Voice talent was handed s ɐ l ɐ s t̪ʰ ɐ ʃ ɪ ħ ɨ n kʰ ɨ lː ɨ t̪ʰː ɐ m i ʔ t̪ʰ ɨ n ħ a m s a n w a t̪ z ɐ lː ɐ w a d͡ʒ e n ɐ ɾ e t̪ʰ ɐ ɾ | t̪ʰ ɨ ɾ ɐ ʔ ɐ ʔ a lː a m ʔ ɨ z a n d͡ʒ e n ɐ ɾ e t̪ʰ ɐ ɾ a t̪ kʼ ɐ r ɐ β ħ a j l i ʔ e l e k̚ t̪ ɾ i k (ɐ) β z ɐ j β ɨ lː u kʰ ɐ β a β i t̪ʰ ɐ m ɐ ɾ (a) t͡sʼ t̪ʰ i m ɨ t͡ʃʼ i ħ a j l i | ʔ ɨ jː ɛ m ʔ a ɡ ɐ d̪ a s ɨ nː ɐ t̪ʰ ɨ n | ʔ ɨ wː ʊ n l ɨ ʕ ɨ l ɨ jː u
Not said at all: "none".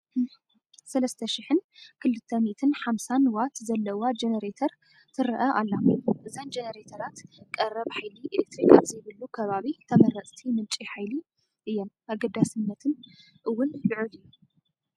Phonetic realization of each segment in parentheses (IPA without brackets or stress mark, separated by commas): a, ɐ